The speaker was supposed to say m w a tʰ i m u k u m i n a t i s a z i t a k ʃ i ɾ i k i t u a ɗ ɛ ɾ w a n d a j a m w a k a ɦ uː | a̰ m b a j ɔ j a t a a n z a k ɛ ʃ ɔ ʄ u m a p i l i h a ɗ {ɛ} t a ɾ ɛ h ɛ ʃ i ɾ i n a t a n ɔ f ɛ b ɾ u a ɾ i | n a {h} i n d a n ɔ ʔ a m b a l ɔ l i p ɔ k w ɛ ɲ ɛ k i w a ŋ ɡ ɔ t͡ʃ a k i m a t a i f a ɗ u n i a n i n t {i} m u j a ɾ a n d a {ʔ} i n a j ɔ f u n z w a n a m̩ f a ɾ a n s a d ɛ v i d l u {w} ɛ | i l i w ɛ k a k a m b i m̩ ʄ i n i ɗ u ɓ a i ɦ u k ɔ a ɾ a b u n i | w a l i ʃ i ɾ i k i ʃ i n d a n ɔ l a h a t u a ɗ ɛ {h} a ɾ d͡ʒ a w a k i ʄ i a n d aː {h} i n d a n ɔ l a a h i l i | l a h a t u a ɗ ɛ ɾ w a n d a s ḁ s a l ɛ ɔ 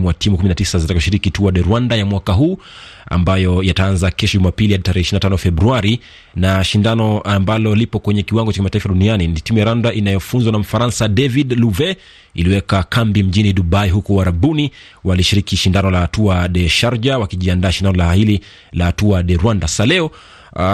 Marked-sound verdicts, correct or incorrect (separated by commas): incorrect, incorrect, correct, correct, incorrect, incorrect, incorrect